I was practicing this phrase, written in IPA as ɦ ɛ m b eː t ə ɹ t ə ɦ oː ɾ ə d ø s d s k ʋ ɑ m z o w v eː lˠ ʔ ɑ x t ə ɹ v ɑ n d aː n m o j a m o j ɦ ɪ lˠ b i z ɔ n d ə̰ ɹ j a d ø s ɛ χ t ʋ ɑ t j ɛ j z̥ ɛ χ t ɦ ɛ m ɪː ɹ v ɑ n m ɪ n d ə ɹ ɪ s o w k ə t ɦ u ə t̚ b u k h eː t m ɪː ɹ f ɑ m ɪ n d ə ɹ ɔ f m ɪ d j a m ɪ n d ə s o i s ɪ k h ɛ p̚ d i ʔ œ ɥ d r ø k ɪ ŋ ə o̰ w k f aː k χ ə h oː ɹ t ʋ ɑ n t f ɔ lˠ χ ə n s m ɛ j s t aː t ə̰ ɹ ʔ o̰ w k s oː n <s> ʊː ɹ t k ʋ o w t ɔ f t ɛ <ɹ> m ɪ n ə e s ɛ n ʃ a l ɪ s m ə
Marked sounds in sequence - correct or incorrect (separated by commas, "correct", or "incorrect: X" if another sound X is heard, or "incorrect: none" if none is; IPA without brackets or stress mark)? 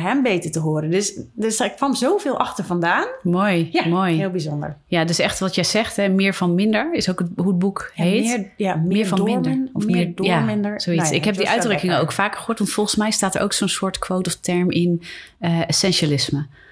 correct, correct